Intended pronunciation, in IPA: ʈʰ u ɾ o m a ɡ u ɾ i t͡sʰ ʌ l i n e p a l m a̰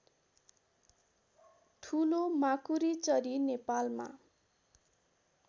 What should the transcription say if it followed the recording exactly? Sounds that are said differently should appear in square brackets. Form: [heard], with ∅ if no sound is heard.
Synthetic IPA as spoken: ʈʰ u [l] o m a [k] u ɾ i [t͡s] ʌ [ɾ] i n e p a l m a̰